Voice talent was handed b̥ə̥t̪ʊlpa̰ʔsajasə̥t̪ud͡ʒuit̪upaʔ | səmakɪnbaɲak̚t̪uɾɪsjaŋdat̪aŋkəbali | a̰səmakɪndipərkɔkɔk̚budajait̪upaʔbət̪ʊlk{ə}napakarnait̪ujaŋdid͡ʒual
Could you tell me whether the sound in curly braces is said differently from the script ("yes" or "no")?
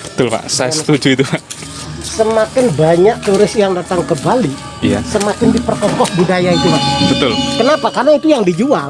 no